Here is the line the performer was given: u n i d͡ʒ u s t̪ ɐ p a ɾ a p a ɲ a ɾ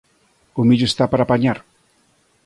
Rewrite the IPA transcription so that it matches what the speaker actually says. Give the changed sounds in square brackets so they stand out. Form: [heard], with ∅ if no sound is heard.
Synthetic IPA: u [m] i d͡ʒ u s t̪ [a] p a ɾ a p a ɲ a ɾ